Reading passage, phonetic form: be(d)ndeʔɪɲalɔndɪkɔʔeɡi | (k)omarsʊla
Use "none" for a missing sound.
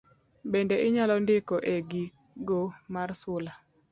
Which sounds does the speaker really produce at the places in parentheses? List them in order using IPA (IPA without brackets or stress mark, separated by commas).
none, ɡ